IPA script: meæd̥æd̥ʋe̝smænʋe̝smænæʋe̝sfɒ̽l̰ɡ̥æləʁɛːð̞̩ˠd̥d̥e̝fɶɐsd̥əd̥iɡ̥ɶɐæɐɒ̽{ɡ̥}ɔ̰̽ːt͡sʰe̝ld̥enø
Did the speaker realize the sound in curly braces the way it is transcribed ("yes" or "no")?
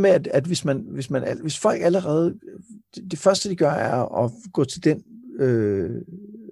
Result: yes